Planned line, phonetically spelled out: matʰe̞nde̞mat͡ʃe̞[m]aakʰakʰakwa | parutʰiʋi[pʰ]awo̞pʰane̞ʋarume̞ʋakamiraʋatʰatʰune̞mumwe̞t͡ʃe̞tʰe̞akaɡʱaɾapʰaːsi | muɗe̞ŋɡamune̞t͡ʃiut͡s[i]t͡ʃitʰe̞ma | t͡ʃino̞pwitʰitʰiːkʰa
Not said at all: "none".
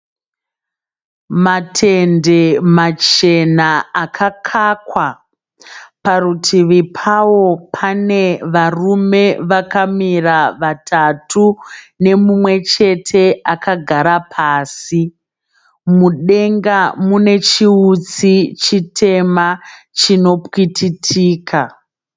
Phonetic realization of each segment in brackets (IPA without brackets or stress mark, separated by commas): n, pʰ, i